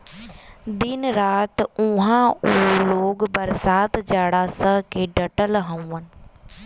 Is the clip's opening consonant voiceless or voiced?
voiced